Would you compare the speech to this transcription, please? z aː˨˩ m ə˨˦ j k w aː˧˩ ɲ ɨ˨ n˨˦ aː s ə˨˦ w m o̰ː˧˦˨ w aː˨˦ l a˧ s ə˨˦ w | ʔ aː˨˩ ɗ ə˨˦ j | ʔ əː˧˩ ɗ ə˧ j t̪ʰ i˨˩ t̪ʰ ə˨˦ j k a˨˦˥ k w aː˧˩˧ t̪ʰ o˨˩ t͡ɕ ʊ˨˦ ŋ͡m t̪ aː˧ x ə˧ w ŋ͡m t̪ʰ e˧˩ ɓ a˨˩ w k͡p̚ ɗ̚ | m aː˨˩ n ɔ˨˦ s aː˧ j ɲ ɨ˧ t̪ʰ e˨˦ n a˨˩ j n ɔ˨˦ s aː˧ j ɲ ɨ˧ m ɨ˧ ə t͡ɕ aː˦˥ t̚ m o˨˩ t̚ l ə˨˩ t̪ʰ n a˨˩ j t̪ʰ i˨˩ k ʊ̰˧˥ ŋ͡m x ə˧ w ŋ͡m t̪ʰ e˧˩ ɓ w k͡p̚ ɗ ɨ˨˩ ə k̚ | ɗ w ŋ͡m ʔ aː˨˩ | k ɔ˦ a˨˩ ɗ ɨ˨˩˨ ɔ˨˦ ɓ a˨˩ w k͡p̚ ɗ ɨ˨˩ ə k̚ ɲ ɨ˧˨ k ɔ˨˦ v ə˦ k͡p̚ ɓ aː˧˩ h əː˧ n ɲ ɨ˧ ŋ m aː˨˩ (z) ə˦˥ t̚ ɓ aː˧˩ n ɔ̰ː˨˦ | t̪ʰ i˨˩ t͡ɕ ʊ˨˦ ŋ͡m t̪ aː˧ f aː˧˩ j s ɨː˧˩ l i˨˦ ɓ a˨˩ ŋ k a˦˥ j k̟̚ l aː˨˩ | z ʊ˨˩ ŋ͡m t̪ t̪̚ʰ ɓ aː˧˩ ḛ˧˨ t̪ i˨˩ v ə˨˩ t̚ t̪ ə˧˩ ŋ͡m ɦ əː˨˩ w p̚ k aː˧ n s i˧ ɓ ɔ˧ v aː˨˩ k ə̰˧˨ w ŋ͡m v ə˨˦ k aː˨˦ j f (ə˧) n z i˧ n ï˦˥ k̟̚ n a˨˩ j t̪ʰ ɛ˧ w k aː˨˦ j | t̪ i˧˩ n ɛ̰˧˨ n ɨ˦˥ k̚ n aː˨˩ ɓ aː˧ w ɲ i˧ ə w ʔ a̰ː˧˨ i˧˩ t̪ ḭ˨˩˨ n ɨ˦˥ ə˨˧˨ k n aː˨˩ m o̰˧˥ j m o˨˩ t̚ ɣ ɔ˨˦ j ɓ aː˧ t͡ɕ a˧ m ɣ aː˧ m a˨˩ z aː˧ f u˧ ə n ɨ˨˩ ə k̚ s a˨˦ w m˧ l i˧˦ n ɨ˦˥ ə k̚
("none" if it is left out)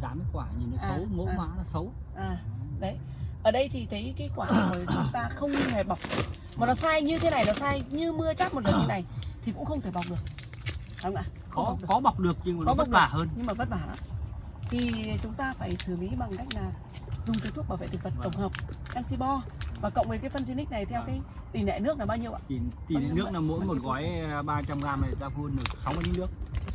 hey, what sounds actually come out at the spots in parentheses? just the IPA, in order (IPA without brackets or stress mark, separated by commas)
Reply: v, ə˧